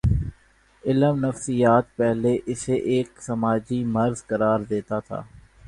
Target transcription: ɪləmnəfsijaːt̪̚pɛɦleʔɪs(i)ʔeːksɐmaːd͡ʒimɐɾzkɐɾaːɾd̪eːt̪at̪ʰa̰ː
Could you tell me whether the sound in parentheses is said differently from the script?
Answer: yes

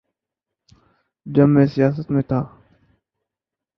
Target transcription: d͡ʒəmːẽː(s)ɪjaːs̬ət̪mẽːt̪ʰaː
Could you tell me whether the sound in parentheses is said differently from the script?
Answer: no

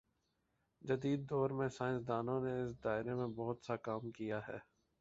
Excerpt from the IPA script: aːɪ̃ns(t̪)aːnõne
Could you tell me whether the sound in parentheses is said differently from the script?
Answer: yes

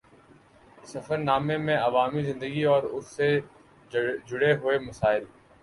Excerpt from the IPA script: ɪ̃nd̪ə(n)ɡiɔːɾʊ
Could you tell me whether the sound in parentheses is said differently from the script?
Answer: yes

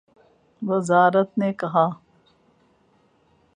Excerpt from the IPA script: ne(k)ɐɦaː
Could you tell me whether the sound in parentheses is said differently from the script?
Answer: no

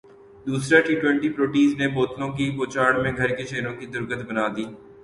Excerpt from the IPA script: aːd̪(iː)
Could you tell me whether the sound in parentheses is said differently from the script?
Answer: no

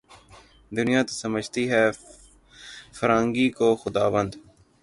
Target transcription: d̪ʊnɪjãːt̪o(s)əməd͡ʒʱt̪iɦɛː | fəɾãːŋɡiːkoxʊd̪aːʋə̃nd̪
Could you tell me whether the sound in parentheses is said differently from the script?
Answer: no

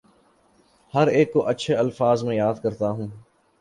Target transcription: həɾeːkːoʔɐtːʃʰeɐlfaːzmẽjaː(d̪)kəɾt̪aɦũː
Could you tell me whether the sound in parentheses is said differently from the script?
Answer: no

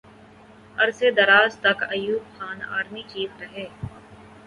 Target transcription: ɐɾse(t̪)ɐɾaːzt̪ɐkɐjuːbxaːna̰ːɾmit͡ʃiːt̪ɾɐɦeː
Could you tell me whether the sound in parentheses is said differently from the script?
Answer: yes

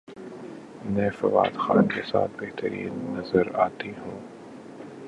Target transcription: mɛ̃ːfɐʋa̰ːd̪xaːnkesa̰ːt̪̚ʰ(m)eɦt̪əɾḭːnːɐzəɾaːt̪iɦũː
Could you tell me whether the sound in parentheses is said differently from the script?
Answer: yes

